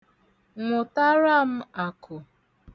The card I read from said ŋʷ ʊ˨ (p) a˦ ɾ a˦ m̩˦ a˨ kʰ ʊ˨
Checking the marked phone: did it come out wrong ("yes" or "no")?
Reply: yes